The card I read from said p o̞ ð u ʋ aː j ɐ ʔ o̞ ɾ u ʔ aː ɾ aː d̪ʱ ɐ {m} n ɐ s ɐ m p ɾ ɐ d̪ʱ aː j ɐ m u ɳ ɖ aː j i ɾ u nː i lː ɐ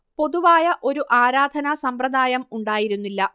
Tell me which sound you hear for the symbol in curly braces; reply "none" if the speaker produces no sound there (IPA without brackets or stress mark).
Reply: none